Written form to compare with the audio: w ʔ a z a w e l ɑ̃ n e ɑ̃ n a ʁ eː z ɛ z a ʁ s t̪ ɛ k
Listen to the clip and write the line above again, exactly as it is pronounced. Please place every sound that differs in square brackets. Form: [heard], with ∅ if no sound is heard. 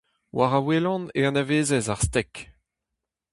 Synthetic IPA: w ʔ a [ʁ] a w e l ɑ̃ n e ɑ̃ n a [v] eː z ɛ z a ʁ s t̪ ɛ k